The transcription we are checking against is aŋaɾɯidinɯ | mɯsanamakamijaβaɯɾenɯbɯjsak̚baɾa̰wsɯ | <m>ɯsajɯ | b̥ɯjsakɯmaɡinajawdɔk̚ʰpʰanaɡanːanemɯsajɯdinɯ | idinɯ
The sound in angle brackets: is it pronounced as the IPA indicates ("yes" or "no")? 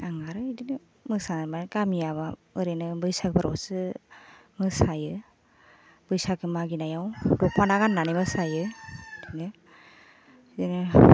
yes